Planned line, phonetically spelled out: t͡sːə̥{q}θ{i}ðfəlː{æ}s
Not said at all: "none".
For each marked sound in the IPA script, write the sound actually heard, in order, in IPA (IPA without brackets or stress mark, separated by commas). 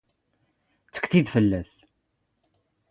k, i, æ